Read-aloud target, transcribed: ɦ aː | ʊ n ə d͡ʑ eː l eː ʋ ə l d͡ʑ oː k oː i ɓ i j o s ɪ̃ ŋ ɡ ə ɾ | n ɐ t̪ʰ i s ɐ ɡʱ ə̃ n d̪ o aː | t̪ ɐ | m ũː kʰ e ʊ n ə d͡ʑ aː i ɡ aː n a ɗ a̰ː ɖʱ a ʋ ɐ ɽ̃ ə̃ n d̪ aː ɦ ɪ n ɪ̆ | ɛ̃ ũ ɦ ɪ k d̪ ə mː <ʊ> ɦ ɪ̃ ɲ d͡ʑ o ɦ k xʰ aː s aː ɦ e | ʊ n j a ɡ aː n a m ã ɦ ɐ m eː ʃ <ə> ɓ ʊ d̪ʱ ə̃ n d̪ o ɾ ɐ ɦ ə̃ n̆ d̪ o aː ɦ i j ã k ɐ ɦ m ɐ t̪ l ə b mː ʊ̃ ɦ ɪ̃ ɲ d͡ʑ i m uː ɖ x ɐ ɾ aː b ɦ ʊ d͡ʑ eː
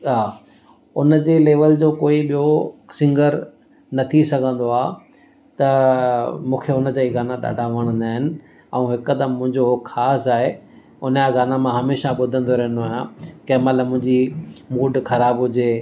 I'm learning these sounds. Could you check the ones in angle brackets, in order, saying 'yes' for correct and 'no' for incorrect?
no, no

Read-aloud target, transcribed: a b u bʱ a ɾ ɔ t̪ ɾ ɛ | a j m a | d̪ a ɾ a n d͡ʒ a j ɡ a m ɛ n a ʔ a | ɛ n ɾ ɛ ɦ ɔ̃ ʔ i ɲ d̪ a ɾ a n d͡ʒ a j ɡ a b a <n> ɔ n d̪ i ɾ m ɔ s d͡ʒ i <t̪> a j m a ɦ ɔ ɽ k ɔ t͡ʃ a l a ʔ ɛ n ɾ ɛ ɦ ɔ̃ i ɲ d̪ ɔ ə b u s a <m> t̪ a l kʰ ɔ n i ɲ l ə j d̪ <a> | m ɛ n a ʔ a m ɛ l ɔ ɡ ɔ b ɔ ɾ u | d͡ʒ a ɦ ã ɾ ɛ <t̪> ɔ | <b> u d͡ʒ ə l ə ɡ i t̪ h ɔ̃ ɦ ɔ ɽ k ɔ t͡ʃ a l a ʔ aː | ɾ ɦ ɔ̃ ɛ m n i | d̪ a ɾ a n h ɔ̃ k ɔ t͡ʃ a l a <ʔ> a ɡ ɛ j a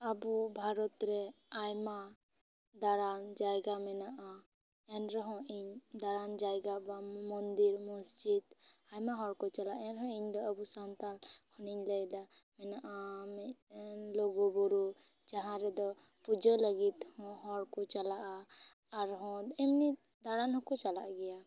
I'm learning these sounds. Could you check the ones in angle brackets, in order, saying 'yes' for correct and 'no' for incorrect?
no, no, no, yes, no, no, yes

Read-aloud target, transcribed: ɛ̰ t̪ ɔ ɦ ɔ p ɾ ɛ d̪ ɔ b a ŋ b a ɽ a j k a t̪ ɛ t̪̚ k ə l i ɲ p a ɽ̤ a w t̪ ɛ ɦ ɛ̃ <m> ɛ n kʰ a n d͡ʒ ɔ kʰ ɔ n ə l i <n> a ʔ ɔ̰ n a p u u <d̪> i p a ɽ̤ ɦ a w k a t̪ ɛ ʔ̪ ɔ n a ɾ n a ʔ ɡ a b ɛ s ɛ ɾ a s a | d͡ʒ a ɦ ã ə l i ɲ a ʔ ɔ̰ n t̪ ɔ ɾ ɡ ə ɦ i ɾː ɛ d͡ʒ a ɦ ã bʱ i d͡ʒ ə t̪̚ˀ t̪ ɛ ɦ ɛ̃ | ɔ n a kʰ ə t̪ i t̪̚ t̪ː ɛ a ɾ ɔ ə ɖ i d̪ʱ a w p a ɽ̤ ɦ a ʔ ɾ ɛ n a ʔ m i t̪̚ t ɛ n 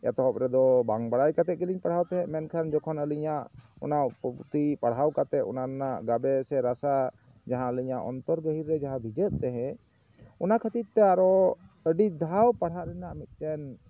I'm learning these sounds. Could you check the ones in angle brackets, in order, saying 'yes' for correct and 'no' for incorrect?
yes, no, no

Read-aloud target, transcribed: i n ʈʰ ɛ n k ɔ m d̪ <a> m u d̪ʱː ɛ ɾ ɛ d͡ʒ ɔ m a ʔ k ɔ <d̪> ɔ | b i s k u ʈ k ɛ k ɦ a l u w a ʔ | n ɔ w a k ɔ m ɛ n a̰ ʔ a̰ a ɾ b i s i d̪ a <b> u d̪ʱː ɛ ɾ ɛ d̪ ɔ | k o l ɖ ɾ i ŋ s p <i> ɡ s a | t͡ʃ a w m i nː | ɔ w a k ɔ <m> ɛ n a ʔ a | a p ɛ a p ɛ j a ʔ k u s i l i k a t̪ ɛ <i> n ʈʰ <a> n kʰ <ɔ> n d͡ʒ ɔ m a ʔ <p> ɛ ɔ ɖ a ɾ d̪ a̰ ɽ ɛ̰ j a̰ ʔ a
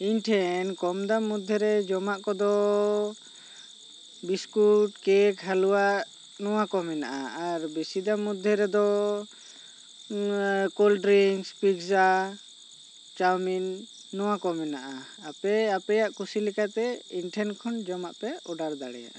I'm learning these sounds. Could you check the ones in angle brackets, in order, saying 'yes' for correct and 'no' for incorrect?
yes, yes, no, yes, yes, yes, no, yes, yes

